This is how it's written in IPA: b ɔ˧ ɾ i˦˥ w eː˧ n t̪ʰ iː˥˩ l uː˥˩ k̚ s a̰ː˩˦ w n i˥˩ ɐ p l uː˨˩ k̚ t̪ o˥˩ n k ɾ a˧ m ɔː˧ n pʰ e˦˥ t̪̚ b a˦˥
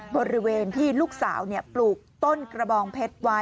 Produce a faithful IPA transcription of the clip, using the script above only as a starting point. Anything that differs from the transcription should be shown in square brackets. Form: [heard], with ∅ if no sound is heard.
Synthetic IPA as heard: b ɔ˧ ɾ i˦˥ w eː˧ n t̪ʰ iː˥˩ l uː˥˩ k̚ s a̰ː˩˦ w n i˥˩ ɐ p l uː˨˩ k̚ t̪ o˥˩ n k ɾ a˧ [b] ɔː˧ [ŋ] pʰ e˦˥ t̪̚ [w] a˦˥